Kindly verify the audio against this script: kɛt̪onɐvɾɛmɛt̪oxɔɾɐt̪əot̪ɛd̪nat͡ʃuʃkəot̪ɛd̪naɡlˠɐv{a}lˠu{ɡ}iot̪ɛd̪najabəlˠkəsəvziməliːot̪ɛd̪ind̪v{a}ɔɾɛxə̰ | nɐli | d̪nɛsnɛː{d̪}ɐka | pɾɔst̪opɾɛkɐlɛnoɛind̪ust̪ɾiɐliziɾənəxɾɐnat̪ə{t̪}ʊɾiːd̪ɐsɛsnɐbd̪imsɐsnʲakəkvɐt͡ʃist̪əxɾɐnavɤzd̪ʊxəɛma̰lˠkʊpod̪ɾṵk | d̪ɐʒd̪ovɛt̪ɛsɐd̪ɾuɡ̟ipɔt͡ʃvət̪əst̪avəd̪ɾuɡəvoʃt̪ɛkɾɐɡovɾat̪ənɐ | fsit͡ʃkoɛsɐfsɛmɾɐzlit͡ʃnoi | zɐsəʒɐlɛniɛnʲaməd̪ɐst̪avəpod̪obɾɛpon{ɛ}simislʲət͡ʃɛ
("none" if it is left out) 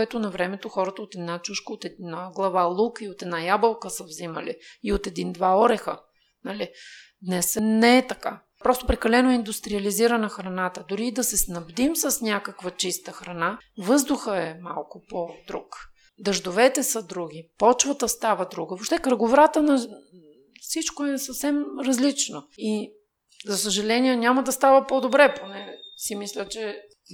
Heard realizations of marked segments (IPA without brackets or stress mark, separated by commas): a, k, a, t̪, d̪, ɛ